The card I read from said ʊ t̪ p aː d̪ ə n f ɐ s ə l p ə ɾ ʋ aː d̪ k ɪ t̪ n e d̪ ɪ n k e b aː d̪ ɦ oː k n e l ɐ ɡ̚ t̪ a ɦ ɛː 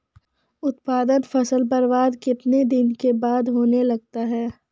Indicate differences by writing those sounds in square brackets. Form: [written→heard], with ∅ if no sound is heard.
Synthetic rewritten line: ʊ t̪ p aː d̪ ə n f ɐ s ə l p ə ɾ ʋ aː d̪ k ɪ t̪ n e d̪ ɪ n k e b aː d̪ ɦ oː [k→∅] n e l ɐ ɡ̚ t̪ a ɦ ɛː